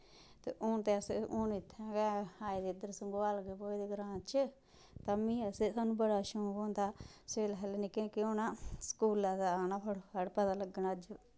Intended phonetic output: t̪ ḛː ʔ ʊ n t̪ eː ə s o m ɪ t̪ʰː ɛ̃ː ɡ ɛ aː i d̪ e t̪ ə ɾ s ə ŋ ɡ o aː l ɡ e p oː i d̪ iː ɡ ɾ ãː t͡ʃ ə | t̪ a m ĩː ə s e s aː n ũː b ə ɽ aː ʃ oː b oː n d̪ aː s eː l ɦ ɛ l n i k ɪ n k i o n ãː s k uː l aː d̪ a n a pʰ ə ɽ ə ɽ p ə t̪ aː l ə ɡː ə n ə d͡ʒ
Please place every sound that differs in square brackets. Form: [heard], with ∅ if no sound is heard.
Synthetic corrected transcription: t̪ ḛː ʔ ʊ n t̪ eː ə s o [n] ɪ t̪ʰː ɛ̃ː ɡ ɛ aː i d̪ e [d̪] ə ɾ s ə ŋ ɡ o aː l ɡ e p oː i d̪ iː ɡ ɾ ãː t͡ʃ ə | t̪ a m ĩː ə s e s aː n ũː b ə ɽ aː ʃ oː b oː n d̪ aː s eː l ɦ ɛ l n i k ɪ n k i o n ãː s k uː l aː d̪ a n a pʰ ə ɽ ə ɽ p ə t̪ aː l ə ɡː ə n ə d͡ʒ